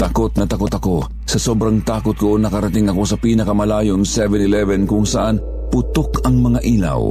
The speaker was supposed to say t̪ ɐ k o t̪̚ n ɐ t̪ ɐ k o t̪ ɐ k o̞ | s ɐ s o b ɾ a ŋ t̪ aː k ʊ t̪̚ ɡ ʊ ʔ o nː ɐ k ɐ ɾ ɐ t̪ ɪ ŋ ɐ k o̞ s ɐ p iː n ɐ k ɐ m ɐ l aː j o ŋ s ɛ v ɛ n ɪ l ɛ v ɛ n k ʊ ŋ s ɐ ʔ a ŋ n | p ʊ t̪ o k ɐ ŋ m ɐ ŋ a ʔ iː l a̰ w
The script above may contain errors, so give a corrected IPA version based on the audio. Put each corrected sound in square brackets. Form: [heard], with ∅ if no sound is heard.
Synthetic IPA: t̪ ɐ k o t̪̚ n ɐ t̪ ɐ k o t̪ ɐ k o̞ | s ɐ s o b ɾ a ŋ t̪ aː k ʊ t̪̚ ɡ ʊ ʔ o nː ɐ k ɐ ɾ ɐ t̪ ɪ ŋ ɐ k o̞ s ɐ p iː n ɐ k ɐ m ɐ l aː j o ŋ s ɛ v ɛ n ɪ l ɛ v ɛ n k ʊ ŋ s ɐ ʔ a [∅] n | p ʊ t̪ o k ɐ ŋ m ɐ ŋ a ʔ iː l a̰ w